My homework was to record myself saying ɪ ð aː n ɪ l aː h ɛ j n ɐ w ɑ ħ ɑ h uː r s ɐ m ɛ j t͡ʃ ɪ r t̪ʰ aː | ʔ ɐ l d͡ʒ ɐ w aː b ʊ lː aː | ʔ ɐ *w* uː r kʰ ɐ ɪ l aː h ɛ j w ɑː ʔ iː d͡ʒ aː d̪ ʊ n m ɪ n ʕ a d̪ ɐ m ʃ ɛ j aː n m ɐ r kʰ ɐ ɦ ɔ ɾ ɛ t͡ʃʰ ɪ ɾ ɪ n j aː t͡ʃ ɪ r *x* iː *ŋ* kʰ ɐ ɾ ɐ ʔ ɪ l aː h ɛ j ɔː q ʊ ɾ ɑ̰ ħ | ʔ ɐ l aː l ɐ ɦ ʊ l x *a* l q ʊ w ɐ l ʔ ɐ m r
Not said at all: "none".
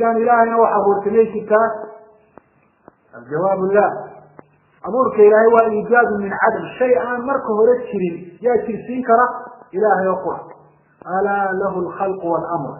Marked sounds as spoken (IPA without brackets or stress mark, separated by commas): β, s, ŋ, ɑ